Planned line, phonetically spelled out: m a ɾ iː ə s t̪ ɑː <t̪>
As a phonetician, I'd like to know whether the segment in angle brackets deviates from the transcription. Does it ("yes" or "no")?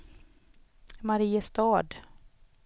yes